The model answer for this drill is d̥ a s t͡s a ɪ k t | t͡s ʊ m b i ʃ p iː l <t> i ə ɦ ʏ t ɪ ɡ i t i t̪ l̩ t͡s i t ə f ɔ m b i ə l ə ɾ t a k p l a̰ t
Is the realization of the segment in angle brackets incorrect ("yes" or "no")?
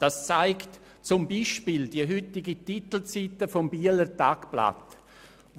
yes